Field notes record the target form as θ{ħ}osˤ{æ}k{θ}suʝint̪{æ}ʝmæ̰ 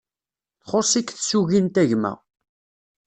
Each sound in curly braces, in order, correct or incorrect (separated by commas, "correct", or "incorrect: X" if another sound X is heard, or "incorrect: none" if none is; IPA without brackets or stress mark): incorrect: χ, incorrect: i, correct, correct